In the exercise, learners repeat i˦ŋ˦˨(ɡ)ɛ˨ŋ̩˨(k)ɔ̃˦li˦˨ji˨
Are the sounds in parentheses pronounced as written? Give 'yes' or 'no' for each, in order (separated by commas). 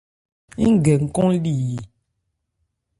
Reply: yes, yes